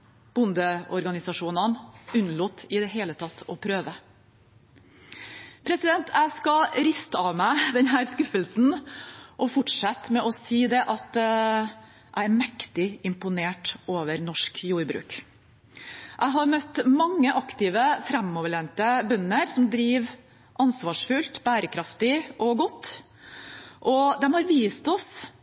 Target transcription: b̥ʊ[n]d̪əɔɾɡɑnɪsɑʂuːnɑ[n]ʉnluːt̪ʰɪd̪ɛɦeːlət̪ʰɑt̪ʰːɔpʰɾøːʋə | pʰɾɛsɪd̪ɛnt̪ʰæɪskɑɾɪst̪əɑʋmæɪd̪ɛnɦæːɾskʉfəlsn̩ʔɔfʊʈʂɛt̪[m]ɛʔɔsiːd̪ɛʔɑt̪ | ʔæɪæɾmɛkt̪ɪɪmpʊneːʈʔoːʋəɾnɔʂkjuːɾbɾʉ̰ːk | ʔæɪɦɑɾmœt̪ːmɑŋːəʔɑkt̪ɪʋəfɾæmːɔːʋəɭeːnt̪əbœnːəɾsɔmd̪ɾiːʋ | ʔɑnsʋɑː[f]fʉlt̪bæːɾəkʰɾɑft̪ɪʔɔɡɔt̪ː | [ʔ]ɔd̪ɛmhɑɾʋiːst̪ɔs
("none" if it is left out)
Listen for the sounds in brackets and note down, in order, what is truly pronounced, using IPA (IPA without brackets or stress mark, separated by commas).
n, n, m, ʂ, ʔ